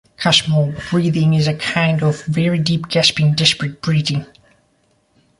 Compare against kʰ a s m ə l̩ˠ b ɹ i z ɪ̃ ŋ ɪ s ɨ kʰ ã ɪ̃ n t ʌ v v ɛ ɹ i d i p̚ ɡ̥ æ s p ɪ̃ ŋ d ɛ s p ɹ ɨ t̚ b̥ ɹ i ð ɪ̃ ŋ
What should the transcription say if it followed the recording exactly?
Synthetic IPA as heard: kʰ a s m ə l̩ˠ b ɹ i ð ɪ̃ ŋ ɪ z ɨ kʰ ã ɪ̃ n d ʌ v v ɛ ɹ i d i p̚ ɡ̥ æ s p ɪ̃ ŋ d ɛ s p ɹ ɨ t̚ b̥ ɹ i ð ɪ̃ ŋ